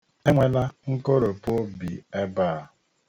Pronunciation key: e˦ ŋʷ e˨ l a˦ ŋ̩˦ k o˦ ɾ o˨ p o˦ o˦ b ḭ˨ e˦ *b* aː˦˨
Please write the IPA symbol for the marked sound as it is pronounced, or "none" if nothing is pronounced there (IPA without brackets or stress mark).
b